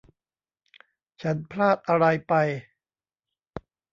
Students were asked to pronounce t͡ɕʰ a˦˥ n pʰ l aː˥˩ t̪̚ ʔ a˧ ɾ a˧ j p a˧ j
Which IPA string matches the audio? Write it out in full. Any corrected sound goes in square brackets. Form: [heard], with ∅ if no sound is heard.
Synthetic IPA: t͡ɕʰ a˦˥ n pʰ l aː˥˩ t̪̚ ʔ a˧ ɾ a˧ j p a˧ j